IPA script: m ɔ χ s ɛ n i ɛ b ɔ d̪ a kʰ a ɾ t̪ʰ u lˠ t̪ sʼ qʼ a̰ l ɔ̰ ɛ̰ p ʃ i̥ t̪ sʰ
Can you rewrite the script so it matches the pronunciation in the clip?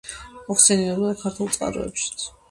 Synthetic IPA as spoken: m ɔ χ s ɛ n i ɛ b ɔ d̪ a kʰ a ɾ t̪ʰ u lˠ t̪ sʼ qʼ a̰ ɾ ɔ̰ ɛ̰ p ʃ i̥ t̪ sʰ